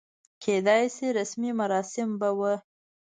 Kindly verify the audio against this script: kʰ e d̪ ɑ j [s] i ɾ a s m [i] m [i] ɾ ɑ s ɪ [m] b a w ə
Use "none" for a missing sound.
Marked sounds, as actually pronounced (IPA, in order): s, i, a, m

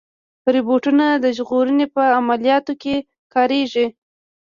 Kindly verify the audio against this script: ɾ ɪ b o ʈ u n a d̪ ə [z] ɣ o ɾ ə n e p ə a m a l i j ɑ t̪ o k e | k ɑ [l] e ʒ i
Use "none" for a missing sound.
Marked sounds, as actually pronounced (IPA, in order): ʒ, ɾ

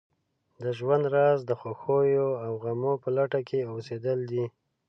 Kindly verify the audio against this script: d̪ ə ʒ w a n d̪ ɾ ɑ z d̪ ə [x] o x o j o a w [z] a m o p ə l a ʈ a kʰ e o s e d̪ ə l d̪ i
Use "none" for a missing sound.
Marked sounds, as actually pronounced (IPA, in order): x, ɣ

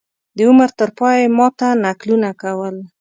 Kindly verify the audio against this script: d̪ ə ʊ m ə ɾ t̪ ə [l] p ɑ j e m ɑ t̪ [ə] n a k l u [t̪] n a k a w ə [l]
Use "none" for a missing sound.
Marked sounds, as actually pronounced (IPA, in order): ɾ, a, none, l

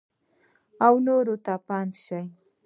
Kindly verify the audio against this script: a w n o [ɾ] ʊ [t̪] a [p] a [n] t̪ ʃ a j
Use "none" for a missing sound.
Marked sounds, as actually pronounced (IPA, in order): ɾ, t̪, p, n

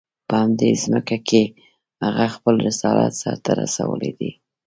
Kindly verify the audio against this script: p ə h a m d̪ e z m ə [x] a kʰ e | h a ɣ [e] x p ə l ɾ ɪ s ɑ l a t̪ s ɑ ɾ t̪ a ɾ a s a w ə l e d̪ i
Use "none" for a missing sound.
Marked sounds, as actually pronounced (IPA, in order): k, a

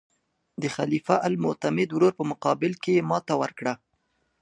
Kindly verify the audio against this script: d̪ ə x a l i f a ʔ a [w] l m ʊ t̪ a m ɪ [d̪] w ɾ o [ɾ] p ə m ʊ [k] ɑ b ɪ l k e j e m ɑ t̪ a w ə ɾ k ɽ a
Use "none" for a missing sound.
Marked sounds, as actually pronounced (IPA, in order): none, d̪, ɾ, q

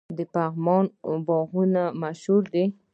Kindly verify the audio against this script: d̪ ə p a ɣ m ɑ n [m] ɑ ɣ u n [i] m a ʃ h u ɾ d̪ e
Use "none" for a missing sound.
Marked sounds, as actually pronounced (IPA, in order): b, a

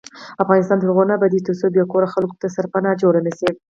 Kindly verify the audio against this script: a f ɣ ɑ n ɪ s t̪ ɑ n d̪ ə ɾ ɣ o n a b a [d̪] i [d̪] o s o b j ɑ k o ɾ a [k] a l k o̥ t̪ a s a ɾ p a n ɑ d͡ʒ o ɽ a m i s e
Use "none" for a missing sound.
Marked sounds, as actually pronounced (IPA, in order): d̪, t̪, x

